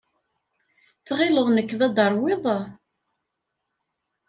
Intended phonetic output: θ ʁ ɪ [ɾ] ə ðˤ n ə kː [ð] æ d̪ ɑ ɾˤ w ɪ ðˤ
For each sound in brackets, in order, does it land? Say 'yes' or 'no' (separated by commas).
no, yes